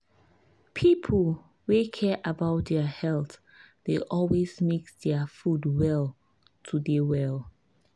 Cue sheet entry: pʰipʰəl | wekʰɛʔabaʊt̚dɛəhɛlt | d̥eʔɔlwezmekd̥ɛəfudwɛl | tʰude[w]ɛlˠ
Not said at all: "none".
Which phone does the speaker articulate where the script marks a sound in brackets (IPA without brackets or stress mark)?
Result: w